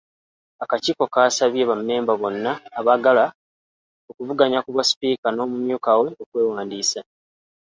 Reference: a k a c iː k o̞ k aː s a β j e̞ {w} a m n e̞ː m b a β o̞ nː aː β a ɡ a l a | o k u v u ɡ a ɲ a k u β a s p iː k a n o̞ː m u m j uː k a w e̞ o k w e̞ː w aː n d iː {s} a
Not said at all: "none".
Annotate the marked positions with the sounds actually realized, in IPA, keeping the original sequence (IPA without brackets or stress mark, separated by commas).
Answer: β, s